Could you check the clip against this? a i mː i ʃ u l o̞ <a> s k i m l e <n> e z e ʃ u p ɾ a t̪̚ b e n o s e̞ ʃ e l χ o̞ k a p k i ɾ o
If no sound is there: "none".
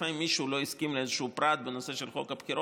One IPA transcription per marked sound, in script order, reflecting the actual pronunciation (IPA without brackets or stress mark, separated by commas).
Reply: i, none